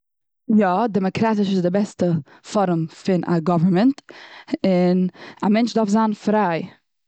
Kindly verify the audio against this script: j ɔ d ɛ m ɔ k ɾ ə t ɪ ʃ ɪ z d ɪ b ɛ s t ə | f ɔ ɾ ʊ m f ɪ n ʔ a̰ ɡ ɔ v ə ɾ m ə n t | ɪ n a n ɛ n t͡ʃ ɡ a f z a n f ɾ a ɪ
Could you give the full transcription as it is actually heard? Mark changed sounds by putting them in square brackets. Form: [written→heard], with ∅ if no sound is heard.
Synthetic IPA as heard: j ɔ d ɛ m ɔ k ɾ [ə→a] t ɪ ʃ ɪ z d ɪ b ɛ s t ə | f ɔ ɾ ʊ m f ɪ n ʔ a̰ ɡ ɔ v ə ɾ m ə n t | ɪ n a [n→m] ɛ n t͡ʃ [ɡ→d] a f z a n f ɾ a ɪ